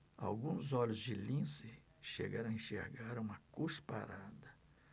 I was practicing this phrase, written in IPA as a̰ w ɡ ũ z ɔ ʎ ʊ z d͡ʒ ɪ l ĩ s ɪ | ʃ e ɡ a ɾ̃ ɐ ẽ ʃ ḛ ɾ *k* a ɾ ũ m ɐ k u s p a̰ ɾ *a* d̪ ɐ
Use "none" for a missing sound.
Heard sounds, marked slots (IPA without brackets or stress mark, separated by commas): ɡ, a